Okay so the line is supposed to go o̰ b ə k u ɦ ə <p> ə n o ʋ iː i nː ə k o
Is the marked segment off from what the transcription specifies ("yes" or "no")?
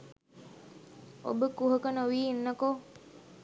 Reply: yes